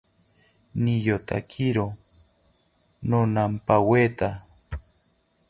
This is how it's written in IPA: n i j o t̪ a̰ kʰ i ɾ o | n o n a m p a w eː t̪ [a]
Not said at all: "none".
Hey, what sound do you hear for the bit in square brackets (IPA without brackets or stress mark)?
a